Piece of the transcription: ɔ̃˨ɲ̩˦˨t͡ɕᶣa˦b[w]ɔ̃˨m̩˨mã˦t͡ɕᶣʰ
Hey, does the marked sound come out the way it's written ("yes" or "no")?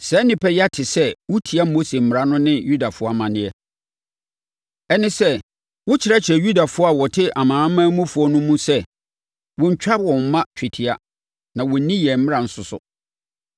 yes